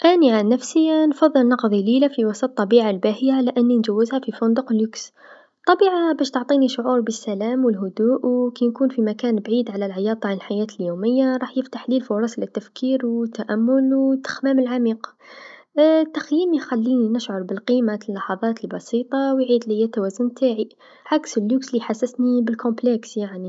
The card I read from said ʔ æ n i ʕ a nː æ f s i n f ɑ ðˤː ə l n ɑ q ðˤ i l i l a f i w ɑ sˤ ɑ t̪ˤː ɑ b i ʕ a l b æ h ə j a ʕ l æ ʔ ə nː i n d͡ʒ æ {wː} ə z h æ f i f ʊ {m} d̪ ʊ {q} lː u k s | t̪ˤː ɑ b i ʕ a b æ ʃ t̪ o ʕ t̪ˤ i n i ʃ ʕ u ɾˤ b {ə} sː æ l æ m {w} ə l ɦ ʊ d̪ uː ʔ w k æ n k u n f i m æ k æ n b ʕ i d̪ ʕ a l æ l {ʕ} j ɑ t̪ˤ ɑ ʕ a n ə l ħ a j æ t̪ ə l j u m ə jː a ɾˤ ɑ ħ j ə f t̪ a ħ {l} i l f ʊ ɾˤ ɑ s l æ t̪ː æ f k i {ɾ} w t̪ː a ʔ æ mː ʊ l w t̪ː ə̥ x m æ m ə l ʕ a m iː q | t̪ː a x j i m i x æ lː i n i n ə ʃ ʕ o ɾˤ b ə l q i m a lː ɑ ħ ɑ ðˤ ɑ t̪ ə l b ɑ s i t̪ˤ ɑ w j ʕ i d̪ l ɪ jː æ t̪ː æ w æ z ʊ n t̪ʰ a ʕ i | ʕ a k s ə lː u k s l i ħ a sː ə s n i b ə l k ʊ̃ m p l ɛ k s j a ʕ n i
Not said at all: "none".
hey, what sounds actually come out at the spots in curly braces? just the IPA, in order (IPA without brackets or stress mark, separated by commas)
wː, n, q, ə, w, ʕ, l, ɾ